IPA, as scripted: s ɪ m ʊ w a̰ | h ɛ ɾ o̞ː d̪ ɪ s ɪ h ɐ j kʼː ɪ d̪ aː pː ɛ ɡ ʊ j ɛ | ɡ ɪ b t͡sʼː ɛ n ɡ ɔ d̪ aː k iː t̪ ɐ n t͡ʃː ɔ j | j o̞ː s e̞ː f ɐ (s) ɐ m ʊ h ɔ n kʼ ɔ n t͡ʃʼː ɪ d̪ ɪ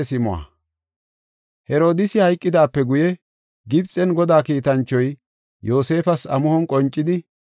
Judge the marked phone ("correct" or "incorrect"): correct